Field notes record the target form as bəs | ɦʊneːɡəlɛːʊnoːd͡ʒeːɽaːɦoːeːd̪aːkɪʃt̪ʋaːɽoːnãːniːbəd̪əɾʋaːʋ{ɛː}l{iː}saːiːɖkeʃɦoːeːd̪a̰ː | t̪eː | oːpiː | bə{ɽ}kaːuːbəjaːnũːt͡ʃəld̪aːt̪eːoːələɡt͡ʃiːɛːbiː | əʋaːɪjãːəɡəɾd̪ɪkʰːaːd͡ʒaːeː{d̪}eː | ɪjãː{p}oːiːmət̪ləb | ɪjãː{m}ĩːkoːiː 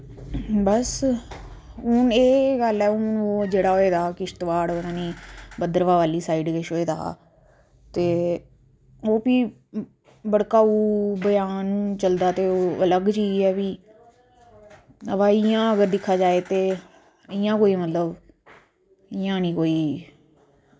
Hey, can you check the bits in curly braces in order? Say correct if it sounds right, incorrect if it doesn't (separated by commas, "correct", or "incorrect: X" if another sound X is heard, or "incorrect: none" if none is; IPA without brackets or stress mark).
incorrect: aː, correct, correct, incorrect: t̪, incorrect: k, incorrect: n